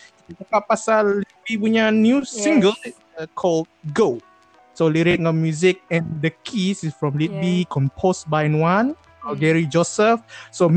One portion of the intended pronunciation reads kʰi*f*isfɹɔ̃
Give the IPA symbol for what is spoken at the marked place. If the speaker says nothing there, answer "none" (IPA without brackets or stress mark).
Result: s